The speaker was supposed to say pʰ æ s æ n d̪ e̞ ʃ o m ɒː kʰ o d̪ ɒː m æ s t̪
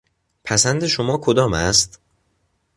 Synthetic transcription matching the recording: pʰ æ s æ n d̪ e̞ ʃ o m ɒː kʰ o d̪ ɒː m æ s t̪

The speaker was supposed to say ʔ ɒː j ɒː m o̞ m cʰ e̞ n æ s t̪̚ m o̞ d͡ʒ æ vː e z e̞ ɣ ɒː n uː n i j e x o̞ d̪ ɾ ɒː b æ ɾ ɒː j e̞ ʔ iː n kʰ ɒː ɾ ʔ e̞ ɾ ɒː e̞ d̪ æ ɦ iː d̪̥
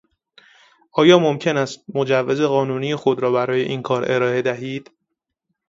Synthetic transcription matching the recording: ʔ ɒː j ɒː m o̞ m cʰ e̞ n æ s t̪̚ m o̞ d͡ʒ æ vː e z e̞ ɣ ɒː n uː n i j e x o̞ d̪ ɾ ɒː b æ ɾ ɒː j e̞ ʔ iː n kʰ ɒː ɾ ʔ e̞ ɾ ɒː e̞ d̪ æ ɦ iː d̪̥

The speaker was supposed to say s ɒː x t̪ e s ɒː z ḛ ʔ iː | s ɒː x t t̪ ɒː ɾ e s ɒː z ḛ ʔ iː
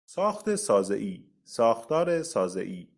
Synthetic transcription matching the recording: s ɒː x t̪ e s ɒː z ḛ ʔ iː | s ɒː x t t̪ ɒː ɾ e s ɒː z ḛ ʔ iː

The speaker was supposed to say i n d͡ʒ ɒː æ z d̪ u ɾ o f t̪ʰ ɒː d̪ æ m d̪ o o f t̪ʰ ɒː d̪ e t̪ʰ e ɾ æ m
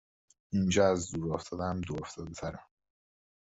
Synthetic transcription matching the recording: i n d͡ʒ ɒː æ z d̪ u ɾ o f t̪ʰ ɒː d̪ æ m d̪ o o f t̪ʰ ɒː d̪ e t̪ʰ æ ɾ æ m

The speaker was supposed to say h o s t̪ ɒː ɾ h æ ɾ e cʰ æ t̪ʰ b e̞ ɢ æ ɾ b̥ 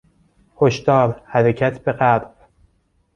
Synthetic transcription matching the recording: h o ʃ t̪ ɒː ɾ h æ ɾ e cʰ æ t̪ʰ b e̞ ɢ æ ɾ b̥

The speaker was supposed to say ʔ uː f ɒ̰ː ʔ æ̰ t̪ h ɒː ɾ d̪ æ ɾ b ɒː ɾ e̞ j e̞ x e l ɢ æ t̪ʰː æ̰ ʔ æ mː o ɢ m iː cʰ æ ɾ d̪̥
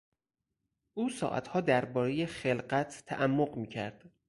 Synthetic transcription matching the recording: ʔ uː s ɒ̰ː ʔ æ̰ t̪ h ɒː d̪ æ ɾ b ɒː ɾ e̞ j e̞ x e l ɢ æ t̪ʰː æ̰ ʔ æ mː o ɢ m iː cʰ æ ɾ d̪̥

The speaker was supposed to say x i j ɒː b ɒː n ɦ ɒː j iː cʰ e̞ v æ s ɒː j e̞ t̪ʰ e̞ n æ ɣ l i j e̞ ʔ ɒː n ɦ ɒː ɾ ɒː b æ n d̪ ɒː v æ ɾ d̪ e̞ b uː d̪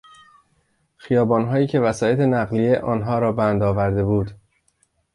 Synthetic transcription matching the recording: x i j ɒː b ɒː n ɦ ɒː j iː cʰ e̞ v æ s ɒː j e̞ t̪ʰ e̞ n æ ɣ l i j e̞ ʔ ɒː n ɦ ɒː ɾ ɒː b æ n d̪ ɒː v æ ɾ d̪ e̞ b uː d̪

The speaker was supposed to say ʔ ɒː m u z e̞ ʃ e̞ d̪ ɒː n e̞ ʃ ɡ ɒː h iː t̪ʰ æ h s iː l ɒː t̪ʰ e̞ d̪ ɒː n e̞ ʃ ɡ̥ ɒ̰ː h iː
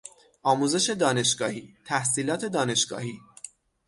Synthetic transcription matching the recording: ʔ ɒː m u z e̞ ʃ e̞ d̪ ɒː n e̞ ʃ ɡ ɒː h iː t̪ʰ æ h s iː l ɒː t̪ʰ e̞ d̪ ɒː n e̞ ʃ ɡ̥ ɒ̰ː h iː

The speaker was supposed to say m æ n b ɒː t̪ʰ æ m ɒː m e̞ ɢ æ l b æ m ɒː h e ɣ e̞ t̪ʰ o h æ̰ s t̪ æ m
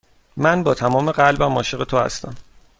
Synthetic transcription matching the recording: m æ n b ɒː t̪ʰ æ m ɒː m e̞ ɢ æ l b æ m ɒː ʃ e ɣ e̞ t̪ʰ o h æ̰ s t̪ æ m

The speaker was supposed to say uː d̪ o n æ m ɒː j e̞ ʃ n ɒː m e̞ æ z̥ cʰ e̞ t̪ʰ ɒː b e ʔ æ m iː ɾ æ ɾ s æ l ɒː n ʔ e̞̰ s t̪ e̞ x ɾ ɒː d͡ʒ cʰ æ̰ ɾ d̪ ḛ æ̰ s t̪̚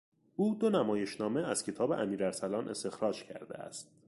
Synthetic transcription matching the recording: uː d̪ o n æ m ɒː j e̞ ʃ n ɒː m e̞ æ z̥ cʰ e̞ t̪ʰ ɒː b e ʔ æ m iː ɾ æ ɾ s æ l ɒː n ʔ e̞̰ s t̪ e̞ x ɾ ɒː d͡ʒ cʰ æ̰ ɾ d̪ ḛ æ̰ s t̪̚

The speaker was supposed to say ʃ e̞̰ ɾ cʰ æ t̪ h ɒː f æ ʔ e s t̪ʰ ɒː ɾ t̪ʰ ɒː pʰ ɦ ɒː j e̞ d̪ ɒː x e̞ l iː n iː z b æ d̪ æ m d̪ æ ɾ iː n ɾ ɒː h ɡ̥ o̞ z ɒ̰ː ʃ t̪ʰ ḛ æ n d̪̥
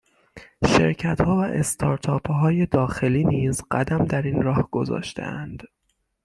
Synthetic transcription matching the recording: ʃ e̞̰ ɾ cʰ æ t̪ h ɒː v æ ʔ e s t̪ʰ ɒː ɾ t̪ʰ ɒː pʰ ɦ ɒː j e̞ d̪ ɒː x e̞ l iː n iː z ɢ æ d̪ æ m d̪ æ ɾ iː n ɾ ɒː h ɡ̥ o̞ z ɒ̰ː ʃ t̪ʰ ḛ æ n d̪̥

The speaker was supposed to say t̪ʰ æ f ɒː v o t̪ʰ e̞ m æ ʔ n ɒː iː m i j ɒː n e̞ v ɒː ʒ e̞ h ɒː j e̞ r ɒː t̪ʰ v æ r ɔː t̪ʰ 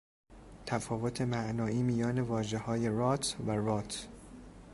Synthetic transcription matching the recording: t̪ʰ æ f ɒː v o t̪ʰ e̞ m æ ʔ n ɒː iː m i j ɒː n e̞ v ɒː ʒ e̞ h ɒː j e̞ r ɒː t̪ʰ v æ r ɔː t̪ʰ

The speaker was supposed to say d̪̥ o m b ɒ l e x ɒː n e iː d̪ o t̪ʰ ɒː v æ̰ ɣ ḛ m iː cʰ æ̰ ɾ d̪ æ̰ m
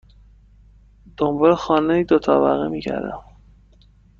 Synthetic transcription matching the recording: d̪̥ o m b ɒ l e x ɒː n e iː d̪ o t̪ʰ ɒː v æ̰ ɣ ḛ m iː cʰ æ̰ ɾ d̪ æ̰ m

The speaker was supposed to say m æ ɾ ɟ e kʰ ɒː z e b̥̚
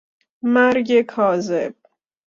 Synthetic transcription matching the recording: m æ ɾ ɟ e kʰ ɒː z e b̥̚

